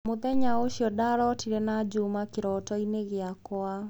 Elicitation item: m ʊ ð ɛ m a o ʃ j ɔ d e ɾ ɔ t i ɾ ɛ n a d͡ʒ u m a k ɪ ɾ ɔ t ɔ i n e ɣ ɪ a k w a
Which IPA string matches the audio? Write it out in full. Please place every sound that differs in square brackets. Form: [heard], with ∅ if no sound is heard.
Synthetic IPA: m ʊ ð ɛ [ɲ] a o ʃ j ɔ d [a] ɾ ɔ t i ɾ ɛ n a d͡ʒ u m a k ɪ ɾ ɔ t ɔ i n e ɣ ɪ a k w a